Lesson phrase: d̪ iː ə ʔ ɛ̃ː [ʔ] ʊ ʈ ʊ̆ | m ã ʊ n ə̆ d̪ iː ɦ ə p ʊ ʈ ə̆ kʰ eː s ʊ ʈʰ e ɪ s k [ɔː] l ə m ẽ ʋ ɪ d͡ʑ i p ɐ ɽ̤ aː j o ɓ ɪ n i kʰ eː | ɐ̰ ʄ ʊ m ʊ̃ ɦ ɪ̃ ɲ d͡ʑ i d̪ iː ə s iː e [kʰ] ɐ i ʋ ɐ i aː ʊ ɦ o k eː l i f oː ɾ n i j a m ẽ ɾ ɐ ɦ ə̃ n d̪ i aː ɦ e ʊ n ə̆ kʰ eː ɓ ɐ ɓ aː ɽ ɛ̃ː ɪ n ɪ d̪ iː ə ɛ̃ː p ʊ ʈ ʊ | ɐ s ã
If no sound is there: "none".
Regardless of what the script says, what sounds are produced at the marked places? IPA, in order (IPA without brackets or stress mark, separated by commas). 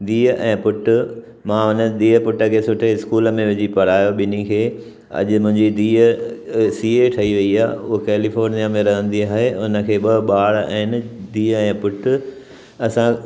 p, uː, ʈʰ